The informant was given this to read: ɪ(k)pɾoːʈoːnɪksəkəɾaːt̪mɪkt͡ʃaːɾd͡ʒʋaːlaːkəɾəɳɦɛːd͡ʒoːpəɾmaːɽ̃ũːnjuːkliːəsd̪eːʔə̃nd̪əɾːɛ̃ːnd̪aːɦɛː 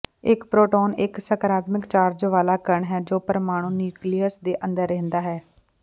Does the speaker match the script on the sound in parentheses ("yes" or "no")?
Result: yes